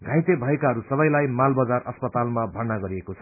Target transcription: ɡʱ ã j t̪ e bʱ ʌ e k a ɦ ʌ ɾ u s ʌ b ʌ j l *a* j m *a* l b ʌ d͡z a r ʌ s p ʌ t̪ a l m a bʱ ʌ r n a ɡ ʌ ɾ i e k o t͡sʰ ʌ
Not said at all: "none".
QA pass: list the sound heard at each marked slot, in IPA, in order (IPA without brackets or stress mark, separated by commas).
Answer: a, a